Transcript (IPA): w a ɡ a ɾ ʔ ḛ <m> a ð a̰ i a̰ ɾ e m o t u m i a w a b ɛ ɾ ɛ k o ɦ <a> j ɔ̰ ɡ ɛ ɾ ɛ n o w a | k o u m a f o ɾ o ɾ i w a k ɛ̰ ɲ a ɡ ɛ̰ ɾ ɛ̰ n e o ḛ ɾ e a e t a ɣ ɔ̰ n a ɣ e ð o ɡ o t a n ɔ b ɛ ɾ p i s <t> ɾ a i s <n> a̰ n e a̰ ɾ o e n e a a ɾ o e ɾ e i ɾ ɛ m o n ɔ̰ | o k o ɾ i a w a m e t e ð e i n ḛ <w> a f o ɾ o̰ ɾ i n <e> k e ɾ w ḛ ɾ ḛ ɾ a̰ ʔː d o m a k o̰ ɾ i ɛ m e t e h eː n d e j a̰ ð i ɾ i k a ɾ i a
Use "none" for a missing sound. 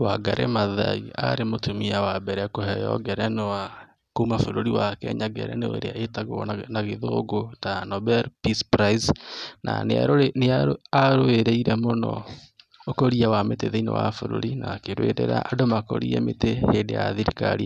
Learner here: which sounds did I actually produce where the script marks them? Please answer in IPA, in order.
m, ɛ, p, n, w, a

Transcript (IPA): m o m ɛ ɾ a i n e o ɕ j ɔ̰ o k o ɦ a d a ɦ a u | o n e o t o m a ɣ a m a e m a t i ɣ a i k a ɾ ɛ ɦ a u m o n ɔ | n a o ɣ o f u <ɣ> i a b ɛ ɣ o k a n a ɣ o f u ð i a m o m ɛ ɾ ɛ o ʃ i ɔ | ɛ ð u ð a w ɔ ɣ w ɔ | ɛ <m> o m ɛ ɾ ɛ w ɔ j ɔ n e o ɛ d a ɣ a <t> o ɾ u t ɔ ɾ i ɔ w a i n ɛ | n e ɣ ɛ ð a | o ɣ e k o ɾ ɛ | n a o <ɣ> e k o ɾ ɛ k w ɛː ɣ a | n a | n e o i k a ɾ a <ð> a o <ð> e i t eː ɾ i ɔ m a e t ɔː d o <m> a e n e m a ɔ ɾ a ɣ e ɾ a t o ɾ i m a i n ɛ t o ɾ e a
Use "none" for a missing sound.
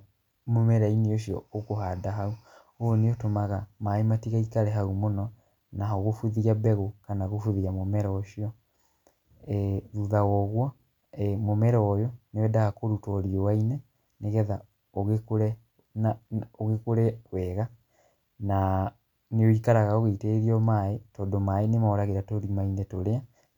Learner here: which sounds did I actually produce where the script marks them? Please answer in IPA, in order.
ð, m, k, ɣ, ɣ, ɣ, m

